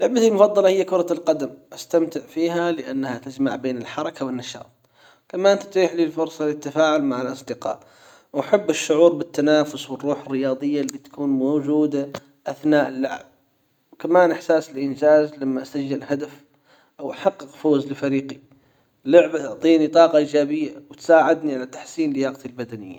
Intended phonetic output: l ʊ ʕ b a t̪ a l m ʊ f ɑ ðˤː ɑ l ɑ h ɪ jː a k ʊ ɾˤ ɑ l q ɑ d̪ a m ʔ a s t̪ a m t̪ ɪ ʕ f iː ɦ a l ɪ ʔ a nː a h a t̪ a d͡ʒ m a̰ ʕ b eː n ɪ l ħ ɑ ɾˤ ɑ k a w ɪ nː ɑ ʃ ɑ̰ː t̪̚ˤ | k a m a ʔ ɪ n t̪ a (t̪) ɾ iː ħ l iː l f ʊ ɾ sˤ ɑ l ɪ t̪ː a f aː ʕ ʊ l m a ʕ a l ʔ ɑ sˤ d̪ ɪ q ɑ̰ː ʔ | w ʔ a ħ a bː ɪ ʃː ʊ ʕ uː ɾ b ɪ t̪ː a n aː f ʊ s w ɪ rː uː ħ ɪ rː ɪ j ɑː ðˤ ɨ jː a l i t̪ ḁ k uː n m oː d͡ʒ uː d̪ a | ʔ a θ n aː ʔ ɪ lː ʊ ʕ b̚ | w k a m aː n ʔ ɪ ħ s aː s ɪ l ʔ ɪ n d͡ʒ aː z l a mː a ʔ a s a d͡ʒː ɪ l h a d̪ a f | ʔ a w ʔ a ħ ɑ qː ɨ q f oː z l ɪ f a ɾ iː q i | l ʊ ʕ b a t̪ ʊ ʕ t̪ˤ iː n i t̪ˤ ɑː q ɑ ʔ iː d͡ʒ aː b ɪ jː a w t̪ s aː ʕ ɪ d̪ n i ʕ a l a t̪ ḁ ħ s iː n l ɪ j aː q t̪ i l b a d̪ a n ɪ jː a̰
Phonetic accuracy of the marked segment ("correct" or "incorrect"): correct